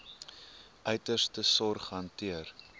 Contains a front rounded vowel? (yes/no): yes